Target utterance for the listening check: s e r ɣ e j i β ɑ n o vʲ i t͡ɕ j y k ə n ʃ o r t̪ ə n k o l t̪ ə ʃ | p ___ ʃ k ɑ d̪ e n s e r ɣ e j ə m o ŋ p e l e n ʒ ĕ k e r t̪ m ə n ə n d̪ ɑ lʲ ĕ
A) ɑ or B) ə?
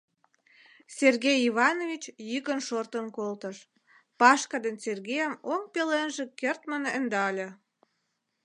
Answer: A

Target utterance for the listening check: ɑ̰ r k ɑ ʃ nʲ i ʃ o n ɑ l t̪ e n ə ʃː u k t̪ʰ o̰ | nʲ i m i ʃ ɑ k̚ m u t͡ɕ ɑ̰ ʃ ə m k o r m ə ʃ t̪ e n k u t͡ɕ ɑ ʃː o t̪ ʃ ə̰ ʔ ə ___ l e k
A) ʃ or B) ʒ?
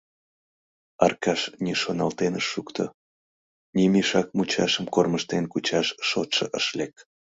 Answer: A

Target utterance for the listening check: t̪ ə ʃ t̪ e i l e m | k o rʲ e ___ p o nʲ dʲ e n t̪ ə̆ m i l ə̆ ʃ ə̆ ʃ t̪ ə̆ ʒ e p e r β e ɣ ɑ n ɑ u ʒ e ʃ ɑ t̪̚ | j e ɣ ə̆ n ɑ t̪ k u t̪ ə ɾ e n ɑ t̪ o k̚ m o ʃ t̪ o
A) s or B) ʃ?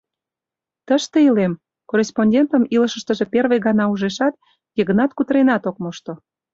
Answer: A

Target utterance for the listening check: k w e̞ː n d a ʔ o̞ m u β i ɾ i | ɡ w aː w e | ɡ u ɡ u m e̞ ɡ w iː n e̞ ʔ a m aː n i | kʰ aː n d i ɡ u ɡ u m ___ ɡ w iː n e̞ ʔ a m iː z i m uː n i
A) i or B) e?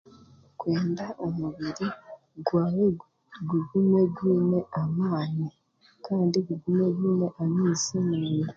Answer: B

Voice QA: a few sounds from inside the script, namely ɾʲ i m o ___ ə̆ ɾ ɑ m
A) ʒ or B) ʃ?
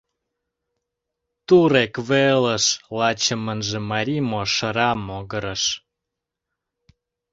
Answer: B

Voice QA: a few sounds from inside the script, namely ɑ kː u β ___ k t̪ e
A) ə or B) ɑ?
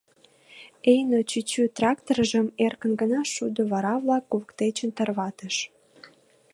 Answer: A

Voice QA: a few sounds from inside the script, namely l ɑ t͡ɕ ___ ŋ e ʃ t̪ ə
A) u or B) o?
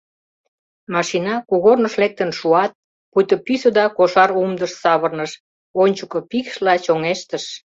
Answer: B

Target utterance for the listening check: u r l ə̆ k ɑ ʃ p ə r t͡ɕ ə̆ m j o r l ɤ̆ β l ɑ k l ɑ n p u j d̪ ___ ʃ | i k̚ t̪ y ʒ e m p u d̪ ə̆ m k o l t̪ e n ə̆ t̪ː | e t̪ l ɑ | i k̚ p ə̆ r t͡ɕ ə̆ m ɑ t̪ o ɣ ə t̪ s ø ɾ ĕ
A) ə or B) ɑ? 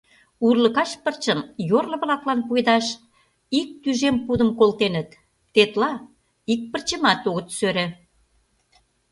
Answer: B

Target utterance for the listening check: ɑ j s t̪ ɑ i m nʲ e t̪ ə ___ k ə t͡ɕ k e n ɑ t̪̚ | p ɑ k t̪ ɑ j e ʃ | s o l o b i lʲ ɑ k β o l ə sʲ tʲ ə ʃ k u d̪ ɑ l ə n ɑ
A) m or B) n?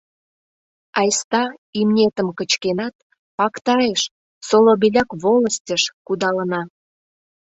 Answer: A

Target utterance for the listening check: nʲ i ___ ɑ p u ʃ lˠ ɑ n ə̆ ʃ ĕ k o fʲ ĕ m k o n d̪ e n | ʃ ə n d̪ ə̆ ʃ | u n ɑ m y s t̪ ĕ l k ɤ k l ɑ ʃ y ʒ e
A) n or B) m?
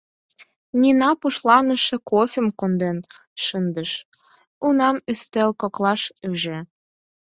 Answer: A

